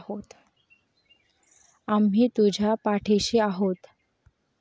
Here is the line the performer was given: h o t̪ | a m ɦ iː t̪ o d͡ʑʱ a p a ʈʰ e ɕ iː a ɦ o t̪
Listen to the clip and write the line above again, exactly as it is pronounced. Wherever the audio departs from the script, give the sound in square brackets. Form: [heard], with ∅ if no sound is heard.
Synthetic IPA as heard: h o t̪ | a m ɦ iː t̪ [u] d͡ʑʱ a p a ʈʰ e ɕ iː a ɦ o t̪